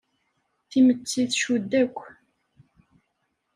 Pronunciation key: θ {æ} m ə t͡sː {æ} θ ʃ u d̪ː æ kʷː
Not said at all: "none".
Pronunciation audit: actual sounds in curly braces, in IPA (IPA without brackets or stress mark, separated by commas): i, i